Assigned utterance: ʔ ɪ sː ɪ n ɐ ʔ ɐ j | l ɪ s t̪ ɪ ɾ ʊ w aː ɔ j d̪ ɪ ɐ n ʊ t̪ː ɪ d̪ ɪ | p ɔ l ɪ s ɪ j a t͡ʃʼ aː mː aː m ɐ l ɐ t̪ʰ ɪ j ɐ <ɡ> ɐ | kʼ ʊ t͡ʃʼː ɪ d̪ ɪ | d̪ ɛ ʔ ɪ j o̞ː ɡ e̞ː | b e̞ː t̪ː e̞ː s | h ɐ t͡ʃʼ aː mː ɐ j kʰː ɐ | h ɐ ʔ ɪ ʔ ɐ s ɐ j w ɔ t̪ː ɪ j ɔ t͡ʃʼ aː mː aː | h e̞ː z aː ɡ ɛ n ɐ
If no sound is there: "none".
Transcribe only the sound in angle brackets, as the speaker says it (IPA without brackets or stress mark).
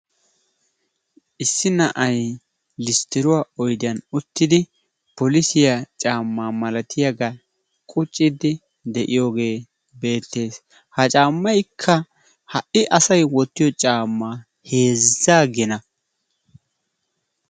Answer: ɡ